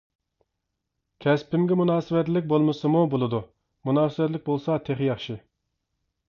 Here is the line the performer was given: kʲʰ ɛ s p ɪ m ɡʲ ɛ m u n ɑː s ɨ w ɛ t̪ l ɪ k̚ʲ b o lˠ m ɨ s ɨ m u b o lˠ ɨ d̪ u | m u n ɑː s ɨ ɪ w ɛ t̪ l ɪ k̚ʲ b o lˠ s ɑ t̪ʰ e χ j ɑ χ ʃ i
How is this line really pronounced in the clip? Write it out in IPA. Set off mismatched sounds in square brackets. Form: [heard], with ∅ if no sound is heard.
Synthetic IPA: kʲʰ ɛ s p ɪ m ɡʲ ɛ m u n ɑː s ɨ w ɛ t̪ l ɪ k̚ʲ b o lˠ m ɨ s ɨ m u b o lˠ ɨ d̪ u | m u n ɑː s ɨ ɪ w ɛ t̪ l ɪ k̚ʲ b o lˠ s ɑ t̪ʰ e χ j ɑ χ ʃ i